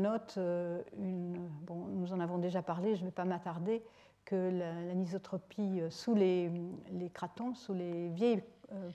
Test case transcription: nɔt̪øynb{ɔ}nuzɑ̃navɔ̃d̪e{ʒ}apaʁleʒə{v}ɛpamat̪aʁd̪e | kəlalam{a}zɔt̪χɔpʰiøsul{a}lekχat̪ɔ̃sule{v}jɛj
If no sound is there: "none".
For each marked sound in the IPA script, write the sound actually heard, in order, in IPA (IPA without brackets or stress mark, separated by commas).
ɔ̃, ʒ, v, i, e, v